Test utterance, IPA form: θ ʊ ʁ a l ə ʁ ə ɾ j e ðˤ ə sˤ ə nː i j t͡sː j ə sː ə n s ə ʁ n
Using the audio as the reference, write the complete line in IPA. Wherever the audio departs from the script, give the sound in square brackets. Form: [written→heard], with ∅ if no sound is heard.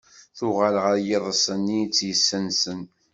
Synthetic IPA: θ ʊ ʁ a l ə ʁ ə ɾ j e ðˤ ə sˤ ə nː i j t͡sː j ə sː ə n s ə [ʁ→∅] n